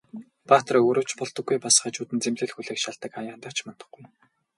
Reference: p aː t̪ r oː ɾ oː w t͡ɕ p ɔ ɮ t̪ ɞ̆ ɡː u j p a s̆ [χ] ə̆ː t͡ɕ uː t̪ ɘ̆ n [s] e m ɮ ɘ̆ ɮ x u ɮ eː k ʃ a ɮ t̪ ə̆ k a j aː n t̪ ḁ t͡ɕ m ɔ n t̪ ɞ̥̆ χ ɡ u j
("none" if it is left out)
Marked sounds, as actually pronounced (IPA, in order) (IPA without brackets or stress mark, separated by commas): χ, t͡s